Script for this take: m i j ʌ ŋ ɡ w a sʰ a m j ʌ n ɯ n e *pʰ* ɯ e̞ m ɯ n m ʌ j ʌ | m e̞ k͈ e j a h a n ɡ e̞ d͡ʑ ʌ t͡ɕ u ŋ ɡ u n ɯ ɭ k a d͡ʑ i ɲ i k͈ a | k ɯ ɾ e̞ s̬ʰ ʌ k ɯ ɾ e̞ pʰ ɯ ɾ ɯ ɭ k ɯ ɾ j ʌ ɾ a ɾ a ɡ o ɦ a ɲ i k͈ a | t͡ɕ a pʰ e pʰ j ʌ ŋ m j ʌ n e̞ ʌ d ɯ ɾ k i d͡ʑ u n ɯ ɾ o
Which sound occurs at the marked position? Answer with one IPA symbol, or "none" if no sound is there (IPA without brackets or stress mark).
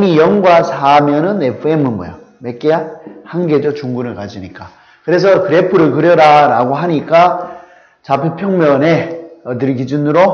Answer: pʰ